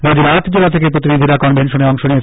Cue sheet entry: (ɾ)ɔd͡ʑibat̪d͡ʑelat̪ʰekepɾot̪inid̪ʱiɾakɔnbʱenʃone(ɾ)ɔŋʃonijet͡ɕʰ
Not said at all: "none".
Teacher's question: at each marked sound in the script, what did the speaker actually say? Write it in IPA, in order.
ɾ, none

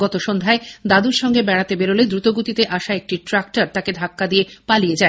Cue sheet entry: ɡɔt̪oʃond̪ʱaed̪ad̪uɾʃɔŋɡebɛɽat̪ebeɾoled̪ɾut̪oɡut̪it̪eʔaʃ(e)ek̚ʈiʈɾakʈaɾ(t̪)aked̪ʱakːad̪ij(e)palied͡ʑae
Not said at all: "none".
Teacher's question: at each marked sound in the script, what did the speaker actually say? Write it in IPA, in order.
a, t̪, e

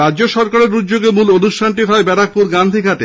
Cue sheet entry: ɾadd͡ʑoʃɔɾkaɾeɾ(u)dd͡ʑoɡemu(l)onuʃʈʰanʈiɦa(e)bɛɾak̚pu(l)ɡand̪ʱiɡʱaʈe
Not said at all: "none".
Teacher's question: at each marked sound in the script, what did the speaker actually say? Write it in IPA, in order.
u, l, e, ɾ

